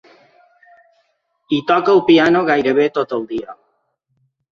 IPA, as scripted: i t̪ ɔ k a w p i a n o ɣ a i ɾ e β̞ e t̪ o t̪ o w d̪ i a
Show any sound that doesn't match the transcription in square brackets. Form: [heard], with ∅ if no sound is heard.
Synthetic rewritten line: i t̪ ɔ k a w p i a n o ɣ a [j] ɾ e β̞ e t̪ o t̪ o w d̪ i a